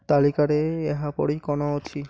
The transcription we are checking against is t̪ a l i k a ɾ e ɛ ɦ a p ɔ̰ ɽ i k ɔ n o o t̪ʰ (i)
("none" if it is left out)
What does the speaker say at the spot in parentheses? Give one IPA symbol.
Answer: i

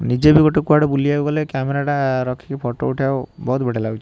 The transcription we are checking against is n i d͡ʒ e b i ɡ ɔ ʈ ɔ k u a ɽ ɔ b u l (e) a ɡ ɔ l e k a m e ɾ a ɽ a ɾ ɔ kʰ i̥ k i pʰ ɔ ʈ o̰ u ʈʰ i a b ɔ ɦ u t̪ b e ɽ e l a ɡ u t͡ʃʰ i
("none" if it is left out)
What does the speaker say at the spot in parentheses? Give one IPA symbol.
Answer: i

